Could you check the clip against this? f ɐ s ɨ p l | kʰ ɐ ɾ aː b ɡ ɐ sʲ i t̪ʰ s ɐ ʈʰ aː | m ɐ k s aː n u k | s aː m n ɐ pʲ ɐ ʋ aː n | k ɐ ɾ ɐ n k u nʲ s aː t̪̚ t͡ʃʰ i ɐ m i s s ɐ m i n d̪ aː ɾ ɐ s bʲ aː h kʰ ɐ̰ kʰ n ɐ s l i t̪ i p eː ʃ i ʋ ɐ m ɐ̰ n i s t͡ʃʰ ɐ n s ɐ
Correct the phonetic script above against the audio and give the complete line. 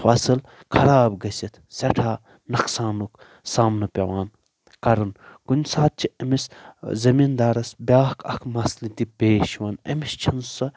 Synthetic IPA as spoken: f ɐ s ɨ l | kʰ ɐ ɾ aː b ɡ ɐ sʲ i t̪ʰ s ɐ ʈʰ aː | n ɐ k s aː n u k | s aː m n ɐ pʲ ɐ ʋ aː n | k ɐ ɾ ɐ n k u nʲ s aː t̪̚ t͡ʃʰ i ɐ m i s z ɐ m i n d̪ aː ɾ ɐ s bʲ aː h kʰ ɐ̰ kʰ m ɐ s l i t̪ i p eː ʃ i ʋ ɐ n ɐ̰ m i s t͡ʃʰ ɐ n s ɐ